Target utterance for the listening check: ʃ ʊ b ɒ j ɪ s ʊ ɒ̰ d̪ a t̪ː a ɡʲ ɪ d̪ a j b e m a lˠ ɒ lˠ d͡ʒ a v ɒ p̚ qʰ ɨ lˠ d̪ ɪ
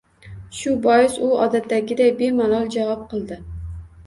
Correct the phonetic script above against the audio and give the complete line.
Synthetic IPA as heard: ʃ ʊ b ɒ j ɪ s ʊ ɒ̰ d̪ a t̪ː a ɡʲ ɪ d̪ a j b e m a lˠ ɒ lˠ d͡ʒ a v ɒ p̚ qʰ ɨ lˠ d̪ ɪ